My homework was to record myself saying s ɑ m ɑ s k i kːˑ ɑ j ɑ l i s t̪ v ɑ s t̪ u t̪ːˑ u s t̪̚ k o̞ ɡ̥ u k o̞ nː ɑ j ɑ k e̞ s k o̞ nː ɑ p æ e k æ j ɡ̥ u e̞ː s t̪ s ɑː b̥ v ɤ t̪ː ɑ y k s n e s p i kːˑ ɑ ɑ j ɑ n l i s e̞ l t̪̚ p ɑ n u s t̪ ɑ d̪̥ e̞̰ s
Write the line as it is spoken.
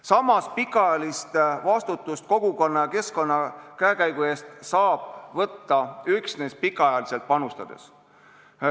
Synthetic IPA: s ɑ m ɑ s p i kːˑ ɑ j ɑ l i s t̪ v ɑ s t̪ u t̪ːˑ u s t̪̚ k o̞ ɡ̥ u k o̞ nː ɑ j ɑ k e̞ s k o̞ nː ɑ k æ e k æ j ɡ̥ u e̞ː s t̪ s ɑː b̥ v ɤ t̪ː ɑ y k s n e s p i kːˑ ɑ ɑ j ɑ l i s e̞ l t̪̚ p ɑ n u s t̪ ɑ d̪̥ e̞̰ s